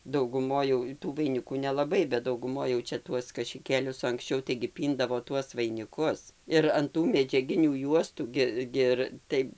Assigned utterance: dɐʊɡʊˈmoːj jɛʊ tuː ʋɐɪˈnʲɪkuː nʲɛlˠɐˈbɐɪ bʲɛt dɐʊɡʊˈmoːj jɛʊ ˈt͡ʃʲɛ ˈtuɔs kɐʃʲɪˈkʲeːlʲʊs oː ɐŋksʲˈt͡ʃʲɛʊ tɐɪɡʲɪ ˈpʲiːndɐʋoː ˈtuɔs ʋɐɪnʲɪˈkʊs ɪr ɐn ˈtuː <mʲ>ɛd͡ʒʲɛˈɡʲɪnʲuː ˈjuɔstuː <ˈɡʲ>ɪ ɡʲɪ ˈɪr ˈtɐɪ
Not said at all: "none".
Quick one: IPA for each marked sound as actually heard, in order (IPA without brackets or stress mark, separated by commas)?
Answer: mʲ, ɡʲ